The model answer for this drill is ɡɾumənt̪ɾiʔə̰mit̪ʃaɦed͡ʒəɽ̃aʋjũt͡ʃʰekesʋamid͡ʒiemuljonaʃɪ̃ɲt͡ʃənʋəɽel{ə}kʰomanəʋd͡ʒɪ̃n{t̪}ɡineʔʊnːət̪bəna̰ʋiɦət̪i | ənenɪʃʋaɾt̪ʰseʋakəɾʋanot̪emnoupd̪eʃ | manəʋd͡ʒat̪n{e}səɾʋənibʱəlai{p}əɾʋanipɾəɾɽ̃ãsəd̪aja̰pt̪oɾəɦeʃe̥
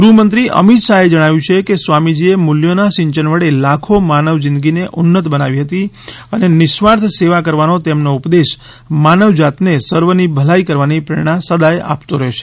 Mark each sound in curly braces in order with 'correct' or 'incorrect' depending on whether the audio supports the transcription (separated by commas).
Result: incorrect, incorrect, correct, incorrect